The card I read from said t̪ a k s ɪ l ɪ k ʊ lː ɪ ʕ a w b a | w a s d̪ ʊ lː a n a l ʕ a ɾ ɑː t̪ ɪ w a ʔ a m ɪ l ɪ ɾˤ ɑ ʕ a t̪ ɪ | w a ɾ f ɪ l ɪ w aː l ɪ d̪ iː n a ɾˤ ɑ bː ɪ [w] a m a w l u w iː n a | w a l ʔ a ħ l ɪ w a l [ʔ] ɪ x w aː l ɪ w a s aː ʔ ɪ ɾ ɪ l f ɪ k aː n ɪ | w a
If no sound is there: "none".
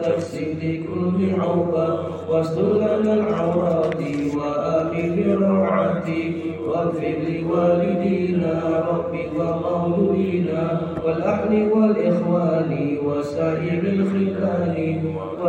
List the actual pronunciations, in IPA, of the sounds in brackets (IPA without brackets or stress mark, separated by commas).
w, ʔ